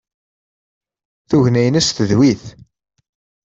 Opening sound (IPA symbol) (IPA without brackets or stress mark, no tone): θ